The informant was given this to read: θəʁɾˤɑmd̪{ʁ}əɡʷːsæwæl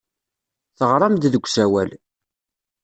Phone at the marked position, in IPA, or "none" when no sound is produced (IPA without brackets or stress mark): ð